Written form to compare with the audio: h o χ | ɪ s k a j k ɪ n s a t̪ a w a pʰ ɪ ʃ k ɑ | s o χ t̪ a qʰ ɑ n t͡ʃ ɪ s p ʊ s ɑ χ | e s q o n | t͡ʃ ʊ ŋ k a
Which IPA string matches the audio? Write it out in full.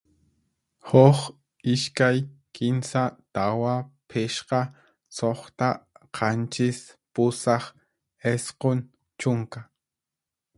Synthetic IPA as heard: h o χ | ɪ ʃ k a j k ɪ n s a t̪ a w a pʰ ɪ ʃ q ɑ | s o χ t̪ a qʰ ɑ n t͡ʃ ɪ s p ʊ s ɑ χ | e s q o n | t͡ʃ ʊ ŋ k a